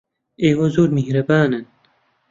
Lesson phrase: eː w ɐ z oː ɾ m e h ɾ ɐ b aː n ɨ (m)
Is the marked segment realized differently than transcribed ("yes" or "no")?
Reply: yes